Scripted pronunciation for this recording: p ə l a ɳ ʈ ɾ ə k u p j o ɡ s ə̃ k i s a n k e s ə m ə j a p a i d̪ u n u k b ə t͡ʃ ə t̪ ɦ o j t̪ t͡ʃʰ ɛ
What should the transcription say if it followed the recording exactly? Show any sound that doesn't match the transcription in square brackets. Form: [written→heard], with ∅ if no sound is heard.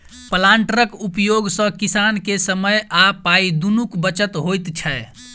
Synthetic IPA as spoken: p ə l a ɳ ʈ ɾ ə k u p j o ɡ s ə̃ k i s a n k e s ə m ə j a p a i d̪ u n u k b ə t͡ʃ ə t̪ ɦ o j t̪ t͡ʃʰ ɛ